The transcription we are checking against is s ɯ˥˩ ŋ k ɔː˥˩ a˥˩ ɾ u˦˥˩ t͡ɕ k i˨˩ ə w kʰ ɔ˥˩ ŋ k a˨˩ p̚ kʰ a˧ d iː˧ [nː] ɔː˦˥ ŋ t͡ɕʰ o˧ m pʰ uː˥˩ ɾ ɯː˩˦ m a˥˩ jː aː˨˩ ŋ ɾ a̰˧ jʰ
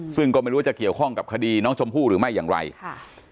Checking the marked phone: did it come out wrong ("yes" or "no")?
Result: yes